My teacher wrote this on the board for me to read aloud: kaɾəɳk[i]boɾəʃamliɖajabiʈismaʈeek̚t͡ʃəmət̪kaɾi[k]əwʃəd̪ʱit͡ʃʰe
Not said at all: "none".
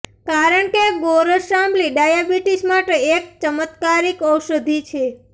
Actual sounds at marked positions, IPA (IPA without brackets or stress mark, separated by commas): e, k